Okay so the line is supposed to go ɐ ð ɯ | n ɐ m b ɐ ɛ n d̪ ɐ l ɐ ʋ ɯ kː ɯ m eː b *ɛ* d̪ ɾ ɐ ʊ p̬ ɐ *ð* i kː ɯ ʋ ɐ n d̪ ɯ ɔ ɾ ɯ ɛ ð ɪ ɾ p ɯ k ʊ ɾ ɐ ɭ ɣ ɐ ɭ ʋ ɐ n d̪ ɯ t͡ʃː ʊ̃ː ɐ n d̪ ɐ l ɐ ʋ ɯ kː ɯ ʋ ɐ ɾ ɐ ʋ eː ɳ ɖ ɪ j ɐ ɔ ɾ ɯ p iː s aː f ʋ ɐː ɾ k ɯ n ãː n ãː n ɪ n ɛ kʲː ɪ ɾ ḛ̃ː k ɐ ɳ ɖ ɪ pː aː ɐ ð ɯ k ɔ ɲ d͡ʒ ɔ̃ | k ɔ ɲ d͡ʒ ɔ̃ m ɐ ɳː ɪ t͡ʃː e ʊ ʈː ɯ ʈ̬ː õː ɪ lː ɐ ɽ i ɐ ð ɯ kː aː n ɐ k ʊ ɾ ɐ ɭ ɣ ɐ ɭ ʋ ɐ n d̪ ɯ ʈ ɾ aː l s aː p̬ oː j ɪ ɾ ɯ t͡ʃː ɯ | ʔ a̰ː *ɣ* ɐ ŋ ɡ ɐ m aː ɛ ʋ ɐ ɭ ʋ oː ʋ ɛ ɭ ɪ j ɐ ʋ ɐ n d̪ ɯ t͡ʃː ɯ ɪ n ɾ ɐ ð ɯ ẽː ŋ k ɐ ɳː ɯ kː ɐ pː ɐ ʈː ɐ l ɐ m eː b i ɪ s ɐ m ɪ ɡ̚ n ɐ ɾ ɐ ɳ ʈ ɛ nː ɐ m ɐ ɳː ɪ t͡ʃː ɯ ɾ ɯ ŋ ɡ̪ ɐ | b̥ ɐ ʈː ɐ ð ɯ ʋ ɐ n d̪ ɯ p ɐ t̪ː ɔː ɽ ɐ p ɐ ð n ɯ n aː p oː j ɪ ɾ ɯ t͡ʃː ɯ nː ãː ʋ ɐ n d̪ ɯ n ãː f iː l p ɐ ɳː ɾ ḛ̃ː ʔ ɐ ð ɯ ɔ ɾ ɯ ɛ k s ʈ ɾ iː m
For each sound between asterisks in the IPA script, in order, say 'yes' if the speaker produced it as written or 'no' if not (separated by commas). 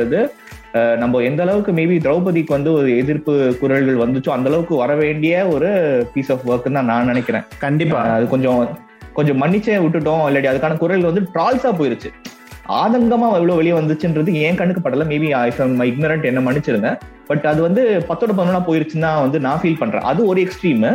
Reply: no, yes, no